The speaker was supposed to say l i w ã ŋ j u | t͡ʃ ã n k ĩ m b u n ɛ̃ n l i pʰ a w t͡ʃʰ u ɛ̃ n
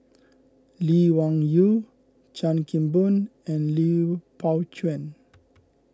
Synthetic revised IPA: l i w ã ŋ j u | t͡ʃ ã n k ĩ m b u n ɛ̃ n l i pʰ a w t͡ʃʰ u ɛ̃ n

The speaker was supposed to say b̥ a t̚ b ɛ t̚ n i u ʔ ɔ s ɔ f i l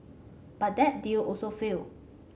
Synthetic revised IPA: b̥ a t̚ d ɛ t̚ d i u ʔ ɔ s o f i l

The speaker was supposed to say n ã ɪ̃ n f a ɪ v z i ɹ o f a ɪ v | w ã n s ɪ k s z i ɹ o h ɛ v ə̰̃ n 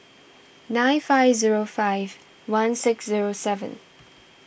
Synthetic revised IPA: n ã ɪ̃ n f a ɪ v z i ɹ o f a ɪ v | w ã n s ɪ k s z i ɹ o s ɛ v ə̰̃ n

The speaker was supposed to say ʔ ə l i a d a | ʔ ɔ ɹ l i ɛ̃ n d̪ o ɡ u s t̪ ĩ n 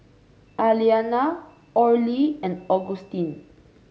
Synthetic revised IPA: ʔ a l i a n a | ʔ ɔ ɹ l i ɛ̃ n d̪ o ɡ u s t̪ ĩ n

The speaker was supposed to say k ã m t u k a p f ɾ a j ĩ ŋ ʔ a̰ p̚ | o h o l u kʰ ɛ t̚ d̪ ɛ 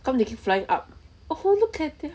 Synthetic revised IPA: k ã m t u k i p f l a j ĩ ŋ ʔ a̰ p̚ | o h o l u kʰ ɛ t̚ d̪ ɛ

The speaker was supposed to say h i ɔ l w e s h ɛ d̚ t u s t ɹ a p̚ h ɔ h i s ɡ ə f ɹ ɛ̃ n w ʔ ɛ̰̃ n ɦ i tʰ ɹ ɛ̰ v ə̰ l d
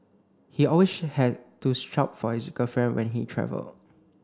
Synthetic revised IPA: h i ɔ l w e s h ɛ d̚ t u s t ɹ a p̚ f ɔ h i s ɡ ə f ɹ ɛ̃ n w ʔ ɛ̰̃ n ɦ i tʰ ɹ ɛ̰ v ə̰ l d

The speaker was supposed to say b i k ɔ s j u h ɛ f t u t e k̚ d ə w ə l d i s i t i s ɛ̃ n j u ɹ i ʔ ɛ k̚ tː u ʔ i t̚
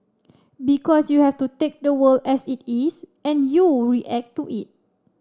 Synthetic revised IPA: b i k ɔ s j u h ɛ f t u t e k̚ d ə w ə l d ɛ s i t i s ɛ̃ n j u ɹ i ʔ ɛ k̚ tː u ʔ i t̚

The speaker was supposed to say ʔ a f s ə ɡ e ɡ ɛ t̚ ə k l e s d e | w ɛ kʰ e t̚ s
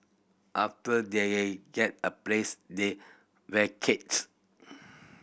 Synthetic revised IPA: ʔ a f t ə d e ɡ ɛ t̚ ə p l e s d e | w ɛ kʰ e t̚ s

